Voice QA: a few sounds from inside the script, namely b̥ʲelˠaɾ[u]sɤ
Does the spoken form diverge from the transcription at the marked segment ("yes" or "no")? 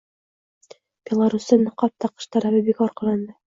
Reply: no